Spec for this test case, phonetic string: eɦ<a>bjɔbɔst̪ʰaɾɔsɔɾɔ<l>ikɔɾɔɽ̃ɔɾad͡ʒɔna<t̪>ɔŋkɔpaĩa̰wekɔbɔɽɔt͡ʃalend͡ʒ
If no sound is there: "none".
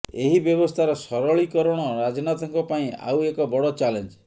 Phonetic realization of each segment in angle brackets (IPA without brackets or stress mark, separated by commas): i, ɭ, t̪